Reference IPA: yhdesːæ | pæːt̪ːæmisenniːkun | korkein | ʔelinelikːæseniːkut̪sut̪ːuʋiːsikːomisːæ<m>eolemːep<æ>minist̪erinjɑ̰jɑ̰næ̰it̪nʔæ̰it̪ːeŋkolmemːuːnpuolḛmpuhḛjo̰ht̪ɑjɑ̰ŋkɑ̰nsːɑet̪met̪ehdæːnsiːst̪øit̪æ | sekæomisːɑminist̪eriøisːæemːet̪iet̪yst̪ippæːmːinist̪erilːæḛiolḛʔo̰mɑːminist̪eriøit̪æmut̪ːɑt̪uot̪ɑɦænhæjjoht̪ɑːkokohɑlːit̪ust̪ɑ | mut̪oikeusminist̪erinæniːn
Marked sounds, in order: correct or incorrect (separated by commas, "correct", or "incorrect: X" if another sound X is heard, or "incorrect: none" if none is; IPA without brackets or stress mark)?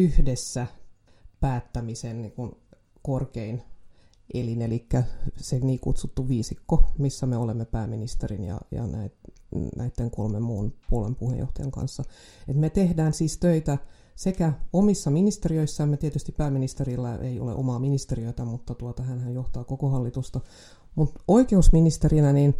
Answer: correct, incorrect: æː